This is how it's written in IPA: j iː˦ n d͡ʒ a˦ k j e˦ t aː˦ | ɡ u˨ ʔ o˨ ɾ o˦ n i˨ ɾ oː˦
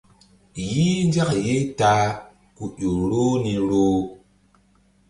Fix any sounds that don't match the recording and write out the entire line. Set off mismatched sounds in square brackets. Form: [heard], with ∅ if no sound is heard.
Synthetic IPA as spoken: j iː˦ n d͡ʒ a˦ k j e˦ t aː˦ | [k] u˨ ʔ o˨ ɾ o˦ n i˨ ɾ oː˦

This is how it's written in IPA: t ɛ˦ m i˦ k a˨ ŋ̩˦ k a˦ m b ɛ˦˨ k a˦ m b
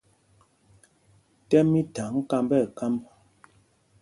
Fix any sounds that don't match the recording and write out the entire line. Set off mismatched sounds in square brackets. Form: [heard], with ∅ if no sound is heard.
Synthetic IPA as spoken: t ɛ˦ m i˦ [t] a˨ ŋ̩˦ k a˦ m b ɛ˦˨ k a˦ m b

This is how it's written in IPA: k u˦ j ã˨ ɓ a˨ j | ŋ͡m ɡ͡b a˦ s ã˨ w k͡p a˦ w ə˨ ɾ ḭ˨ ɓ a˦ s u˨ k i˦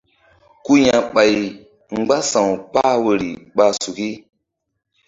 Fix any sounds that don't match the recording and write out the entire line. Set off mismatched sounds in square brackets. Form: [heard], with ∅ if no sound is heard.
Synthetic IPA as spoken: k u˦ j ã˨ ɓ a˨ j | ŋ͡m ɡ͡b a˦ s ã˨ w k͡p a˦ w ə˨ ɾ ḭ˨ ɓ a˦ s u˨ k i˦

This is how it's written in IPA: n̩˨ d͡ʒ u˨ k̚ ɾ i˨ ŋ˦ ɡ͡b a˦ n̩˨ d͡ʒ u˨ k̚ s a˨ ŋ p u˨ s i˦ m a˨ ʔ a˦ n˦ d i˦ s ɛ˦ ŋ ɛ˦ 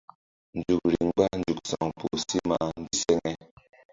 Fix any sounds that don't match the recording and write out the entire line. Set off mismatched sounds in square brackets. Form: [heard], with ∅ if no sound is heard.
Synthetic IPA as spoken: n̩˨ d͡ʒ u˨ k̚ ɾ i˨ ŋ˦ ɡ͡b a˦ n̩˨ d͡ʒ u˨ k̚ s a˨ ŋ p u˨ s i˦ m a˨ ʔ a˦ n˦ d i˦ s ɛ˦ ŋ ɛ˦

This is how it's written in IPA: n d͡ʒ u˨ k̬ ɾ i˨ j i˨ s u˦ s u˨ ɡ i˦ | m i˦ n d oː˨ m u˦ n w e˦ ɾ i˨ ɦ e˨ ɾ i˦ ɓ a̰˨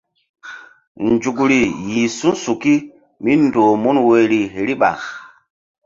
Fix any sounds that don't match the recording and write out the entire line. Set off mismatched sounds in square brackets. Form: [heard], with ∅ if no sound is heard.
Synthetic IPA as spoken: n d͡ʒ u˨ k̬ ɾ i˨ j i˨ s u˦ s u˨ [k] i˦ | m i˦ n d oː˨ m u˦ n w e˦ ɾ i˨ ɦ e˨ ɾ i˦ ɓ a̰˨

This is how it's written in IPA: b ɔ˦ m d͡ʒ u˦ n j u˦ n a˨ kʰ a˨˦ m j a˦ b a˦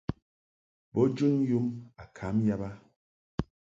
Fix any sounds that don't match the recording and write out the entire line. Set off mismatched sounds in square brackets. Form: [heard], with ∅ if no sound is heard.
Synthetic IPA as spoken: b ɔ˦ [∅] d͡ʒ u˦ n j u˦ [m] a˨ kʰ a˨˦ m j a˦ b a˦

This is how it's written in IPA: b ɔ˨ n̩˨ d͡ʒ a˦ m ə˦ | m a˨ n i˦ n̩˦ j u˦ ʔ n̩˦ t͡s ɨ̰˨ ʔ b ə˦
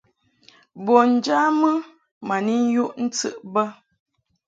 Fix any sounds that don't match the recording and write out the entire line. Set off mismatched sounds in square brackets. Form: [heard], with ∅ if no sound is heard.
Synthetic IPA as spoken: b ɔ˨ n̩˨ d͡ʒ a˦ m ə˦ | m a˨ n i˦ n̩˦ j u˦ ʔ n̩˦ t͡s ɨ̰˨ ʔ b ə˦

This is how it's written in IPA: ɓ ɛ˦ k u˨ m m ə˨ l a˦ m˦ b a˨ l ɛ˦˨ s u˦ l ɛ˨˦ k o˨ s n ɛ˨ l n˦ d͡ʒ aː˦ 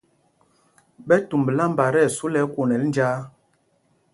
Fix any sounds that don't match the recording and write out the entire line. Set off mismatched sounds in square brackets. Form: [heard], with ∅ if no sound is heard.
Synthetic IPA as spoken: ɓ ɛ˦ [t] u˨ m [b] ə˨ l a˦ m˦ b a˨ [ɾ] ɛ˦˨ s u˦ l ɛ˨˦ k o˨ [∅] n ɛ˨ l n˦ d͡ʒ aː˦

